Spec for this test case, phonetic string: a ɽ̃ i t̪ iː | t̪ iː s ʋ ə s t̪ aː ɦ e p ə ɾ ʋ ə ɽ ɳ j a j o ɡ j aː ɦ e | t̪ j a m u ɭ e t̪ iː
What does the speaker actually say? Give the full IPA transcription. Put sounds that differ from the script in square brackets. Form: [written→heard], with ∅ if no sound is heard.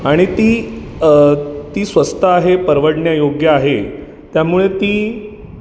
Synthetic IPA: a ɽ̃ i t̪ iː | t̪ iː s ʋ ə s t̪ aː ɦ e p ə ɾ ʋ ə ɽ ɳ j a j o ɡ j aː ɦ e | t̪ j a m u ɭ e t̪ iː